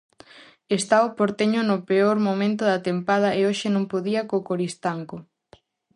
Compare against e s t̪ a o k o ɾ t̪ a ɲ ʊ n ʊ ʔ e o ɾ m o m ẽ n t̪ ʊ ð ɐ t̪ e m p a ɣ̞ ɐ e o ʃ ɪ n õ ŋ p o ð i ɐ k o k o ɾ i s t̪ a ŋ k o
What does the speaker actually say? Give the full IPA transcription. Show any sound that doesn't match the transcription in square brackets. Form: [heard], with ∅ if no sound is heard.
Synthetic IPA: e s t̪ a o [p] o ɾ t̪ [e] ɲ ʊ n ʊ [p] e o ɾ m o m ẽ n t̪ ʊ ð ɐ t̪ e m p a [ð̞] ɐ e o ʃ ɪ n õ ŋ p o ð i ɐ k o k o ɾ i s t̪ a ŋ k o